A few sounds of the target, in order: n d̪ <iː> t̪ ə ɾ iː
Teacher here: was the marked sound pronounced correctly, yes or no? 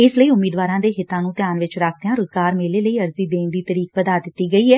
yes